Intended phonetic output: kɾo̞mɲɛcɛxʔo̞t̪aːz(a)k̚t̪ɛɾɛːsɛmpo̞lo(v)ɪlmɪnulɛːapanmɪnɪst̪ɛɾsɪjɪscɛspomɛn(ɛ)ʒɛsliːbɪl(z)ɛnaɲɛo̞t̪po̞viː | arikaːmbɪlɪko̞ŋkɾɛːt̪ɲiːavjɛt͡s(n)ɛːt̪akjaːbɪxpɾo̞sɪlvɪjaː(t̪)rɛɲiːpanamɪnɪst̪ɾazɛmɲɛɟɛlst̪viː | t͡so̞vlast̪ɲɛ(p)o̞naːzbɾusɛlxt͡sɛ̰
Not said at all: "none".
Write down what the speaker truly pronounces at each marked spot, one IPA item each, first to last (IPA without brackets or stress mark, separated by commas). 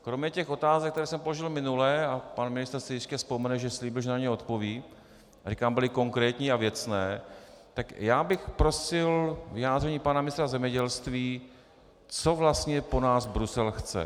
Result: ɛ, ʒ, ɛ, ʒ, n, d̪, p